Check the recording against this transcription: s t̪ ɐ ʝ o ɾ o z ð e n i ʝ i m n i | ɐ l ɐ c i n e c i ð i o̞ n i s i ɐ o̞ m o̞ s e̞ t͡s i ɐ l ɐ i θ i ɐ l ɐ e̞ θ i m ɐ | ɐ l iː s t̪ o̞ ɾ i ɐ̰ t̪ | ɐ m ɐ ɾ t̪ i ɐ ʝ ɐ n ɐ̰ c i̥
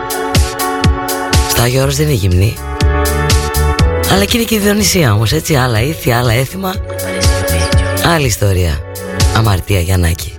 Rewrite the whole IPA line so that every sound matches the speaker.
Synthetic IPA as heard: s t̪ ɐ ʝ o ɾ o z ð e n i ʝ i m n i | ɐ l ɐ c i n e c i ð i o̞ n i s i ɐ o̞ m o̞ s e̞ t͡s i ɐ l ɐ i θ i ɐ l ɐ e̞ θ i m ɐ | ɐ l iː s t̪ o̞ ɾ i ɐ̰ | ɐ m ɐ ɾ t̪ i ɐ ʝ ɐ n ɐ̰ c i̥